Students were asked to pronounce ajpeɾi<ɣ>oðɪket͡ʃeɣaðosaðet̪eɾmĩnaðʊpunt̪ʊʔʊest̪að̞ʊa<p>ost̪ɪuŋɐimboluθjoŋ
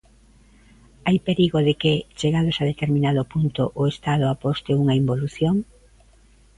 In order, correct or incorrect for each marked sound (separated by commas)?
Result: correct, correct